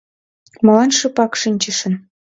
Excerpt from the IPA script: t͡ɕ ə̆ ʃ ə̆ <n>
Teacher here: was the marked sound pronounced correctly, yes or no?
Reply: yes